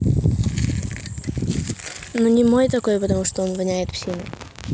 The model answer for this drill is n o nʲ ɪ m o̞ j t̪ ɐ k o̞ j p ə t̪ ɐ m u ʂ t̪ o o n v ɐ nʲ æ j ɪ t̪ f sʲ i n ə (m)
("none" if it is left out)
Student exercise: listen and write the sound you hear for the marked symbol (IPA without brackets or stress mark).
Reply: none